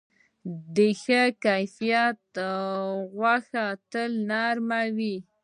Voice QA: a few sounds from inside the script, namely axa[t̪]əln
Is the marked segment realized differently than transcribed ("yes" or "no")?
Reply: no